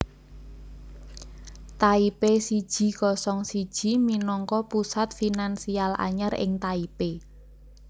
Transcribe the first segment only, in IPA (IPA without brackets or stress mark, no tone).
t̪